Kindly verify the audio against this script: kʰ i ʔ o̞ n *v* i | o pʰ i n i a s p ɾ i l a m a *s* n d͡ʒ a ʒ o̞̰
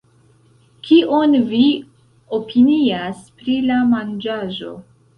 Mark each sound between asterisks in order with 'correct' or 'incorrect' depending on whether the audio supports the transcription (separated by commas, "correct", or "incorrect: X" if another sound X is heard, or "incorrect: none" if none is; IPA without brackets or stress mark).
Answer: correct, incorrect: none